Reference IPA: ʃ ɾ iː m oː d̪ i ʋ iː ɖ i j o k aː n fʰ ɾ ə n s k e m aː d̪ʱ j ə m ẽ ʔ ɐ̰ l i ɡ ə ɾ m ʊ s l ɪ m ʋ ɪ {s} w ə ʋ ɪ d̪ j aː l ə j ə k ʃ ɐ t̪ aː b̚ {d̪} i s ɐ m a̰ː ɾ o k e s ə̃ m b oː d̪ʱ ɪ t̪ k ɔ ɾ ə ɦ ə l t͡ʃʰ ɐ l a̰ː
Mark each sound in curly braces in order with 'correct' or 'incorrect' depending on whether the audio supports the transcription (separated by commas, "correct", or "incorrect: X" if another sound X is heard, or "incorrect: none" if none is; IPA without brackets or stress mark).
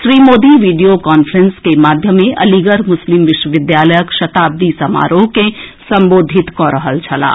incorrect: ʃ, correct